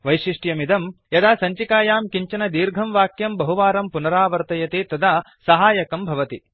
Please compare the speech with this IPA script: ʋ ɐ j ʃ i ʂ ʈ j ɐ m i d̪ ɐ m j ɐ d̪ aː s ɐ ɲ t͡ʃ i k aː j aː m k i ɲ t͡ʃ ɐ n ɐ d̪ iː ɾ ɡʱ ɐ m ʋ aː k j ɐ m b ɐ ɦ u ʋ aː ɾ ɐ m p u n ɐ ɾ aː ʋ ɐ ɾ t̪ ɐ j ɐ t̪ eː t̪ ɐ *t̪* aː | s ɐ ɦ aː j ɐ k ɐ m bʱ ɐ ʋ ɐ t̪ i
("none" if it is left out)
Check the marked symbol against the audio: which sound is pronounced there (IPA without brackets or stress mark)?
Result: d̪